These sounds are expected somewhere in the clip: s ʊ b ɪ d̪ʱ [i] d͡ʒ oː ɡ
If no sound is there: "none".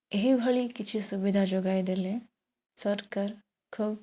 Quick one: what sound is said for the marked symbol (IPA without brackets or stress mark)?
a